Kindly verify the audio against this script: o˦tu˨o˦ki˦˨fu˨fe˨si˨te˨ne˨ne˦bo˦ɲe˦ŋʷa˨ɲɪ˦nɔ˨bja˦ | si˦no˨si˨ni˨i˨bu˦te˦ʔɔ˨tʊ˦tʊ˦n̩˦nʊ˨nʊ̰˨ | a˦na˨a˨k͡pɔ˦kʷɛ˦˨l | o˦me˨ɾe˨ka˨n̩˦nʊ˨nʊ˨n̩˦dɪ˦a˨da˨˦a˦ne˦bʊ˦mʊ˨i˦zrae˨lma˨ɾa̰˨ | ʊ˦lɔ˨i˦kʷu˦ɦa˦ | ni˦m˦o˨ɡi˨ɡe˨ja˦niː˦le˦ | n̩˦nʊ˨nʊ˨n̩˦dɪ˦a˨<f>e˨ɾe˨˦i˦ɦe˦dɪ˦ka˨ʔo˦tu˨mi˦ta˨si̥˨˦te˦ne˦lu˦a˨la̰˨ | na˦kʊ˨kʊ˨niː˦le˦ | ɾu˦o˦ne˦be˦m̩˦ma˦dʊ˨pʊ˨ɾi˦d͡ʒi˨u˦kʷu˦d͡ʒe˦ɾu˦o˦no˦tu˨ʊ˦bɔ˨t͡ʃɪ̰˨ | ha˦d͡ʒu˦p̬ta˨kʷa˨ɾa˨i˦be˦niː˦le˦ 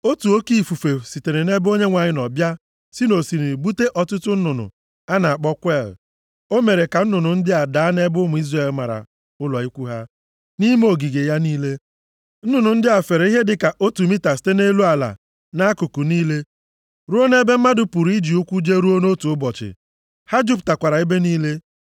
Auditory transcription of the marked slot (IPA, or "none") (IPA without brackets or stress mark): f